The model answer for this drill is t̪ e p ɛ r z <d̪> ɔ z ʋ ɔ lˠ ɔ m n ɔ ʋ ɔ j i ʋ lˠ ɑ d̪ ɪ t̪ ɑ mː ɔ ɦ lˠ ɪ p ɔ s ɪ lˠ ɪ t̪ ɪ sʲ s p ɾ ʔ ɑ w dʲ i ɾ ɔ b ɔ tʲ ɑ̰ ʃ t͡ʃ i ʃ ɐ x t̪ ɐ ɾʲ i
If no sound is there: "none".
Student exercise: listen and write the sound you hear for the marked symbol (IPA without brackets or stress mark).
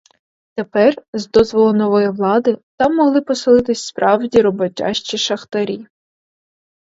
d̪